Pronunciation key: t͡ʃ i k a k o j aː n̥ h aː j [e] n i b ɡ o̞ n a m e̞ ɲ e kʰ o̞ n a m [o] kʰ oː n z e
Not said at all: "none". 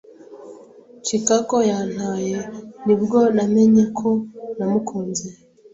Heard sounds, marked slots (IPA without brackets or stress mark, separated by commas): e, u